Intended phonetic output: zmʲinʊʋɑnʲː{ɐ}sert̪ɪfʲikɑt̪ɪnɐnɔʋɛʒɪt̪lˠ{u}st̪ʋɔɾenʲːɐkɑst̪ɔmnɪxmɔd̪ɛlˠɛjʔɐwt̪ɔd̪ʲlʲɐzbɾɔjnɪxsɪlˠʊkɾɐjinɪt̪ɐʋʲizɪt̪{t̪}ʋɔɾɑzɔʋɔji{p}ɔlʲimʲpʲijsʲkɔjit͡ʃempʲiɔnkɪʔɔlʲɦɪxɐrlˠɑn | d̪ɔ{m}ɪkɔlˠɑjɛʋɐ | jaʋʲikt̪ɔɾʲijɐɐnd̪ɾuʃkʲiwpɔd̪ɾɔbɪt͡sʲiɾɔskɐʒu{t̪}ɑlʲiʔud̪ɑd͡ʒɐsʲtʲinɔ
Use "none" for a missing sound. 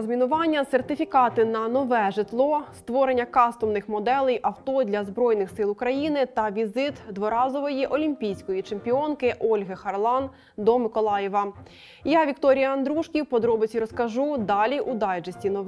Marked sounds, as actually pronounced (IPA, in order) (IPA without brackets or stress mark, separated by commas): ɐ, ɔ, d̪, ʔ, m, d̪